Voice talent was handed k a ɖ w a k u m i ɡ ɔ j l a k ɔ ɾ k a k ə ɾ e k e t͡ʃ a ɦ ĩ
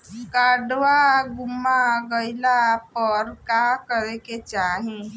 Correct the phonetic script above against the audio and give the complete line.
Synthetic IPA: k a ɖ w a ɡ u m a ɡ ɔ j l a p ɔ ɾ k a k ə ɾ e k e t͡ʃ a ɦ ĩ